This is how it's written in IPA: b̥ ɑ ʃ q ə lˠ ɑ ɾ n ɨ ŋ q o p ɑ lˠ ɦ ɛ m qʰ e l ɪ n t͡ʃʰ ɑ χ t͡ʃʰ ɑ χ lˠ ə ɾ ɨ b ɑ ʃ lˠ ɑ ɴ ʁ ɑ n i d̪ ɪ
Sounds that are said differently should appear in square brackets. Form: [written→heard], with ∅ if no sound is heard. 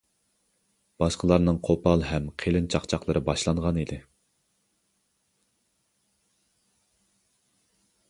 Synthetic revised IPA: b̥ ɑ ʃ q ə lˠ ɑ ɾ n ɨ ŋ [q→qʰ] o p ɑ lˠ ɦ ɛ m qʰ e l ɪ n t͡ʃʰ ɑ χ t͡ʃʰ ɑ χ lˠ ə ɾ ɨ b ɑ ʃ lˠ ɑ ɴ ʁ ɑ n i d̪ ɪ